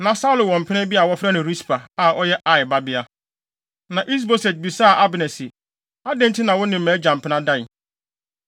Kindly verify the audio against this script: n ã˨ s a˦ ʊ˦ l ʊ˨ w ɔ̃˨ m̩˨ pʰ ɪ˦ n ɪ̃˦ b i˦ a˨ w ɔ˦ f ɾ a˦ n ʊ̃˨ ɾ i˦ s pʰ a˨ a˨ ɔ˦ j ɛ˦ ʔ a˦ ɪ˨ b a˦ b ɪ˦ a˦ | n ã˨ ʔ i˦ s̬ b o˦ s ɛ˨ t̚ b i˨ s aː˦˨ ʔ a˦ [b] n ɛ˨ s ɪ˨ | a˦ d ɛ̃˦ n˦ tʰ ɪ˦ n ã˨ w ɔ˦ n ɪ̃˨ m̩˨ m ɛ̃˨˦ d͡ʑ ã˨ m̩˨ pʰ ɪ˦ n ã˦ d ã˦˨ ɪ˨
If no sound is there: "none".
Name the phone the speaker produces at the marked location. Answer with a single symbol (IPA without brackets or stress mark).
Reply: b